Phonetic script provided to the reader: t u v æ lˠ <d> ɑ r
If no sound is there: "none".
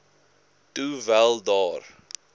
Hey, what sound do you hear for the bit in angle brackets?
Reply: d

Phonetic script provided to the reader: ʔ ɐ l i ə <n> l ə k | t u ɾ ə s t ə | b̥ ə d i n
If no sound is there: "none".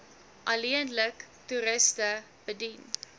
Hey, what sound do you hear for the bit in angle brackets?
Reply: n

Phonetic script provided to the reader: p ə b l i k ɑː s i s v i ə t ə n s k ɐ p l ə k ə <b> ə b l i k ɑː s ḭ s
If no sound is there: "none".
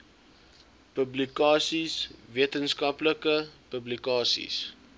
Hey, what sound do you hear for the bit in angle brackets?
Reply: p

